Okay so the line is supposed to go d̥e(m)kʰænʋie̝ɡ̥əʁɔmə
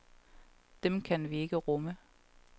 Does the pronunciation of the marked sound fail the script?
no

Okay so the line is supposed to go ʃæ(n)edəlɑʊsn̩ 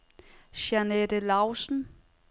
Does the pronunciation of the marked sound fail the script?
no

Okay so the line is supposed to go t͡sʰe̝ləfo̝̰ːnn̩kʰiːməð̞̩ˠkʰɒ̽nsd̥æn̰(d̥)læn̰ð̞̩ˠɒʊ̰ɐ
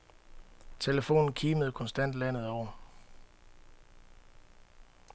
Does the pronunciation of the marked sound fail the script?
no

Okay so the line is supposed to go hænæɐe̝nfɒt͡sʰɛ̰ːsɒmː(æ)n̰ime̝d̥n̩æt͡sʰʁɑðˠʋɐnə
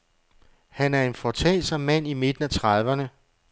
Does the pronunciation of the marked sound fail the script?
no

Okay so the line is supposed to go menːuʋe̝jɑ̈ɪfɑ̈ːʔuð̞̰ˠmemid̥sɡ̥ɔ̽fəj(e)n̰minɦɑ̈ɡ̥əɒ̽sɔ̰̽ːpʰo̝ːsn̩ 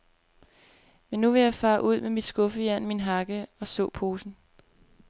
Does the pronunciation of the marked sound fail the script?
yes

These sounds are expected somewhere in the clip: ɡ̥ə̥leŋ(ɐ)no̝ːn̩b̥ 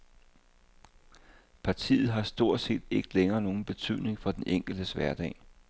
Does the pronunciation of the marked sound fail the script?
yes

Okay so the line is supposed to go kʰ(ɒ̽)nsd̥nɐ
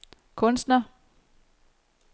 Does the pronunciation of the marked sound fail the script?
yes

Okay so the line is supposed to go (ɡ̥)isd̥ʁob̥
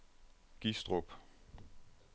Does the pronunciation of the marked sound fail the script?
no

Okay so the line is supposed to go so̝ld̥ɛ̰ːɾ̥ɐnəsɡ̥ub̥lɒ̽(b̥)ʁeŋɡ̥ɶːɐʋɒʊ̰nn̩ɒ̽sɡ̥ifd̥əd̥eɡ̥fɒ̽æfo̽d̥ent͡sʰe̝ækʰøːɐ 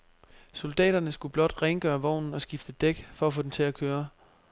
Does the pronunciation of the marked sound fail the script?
yes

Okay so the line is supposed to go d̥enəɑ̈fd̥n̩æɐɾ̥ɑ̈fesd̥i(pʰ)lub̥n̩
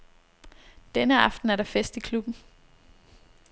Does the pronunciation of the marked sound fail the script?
yes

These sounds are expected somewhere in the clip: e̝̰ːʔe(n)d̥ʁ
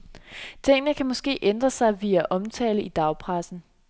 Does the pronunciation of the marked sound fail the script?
no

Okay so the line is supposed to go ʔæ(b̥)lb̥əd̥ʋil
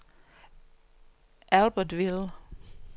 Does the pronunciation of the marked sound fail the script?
yes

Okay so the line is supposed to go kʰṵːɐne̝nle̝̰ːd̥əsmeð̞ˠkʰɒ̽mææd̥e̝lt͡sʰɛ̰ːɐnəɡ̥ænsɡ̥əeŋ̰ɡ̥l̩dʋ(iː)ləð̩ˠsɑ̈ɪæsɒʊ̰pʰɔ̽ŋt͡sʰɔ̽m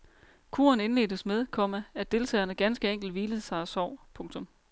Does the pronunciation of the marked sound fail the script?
no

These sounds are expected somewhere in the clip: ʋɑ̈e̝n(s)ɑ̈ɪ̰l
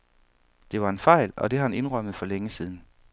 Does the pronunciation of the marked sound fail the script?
yes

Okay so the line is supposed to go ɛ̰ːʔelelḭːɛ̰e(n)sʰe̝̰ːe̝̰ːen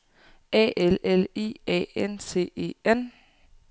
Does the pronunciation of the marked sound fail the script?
no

